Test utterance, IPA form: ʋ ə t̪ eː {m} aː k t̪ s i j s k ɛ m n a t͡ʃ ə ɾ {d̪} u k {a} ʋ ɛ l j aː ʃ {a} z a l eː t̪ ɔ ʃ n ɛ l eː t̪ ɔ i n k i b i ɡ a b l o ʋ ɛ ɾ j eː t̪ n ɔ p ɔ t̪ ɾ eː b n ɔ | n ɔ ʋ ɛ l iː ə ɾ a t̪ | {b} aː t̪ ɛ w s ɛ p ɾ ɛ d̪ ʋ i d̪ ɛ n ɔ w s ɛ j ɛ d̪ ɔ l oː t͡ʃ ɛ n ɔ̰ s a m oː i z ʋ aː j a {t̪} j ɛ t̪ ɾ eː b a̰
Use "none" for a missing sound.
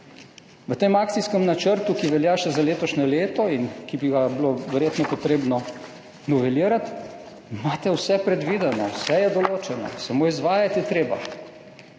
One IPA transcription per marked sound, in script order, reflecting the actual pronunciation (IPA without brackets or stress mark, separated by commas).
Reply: m, t̪, i, ɛ, m, t̪